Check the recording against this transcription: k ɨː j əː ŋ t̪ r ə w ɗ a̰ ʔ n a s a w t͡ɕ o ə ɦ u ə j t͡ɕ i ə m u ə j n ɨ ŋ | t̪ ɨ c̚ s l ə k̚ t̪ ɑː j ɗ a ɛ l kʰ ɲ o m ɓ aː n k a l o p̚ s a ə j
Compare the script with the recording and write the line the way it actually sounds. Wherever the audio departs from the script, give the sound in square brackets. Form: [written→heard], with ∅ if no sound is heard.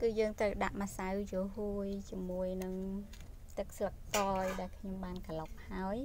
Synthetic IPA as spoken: k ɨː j əː ŋ t̪ r ə w ɗ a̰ ʔ [n→m] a s a w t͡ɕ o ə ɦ u ə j t͡ɕ i ə m u ə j n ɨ ŋ | t̪ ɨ [c̚→k̚] s l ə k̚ t̪ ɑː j ɗ a ɛ l kʰ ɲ o m ɓ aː n k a l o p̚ [s→h] a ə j

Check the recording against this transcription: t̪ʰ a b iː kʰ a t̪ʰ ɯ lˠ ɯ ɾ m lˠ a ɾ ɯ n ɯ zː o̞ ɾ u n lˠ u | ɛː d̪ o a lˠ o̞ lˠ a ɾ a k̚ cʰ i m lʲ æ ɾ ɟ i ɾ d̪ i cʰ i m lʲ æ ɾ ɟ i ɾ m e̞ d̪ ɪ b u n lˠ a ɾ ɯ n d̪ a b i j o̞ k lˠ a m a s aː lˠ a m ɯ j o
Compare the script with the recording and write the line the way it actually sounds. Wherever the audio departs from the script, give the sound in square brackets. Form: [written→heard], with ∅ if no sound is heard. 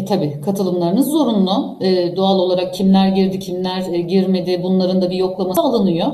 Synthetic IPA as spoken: t̪ʰ a b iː kʰ a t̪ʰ ɯ lˠ ɯ [ɾ→∅] m lˠ a ɾ ɯ n ɯ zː o̞ ɾ u n lˠ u | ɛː d̪ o a lˠ o̞ lˠ a ɾ a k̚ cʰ i m lʲ æ ɾ ɟ i ɾ d̪ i cʰ i m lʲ æ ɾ ɟ i ɾ m e̞ d̪ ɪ b u n lˠ a ɾ ɯ n d̪ a b i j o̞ k lˠ a m a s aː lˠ a [m→n] ɯ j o

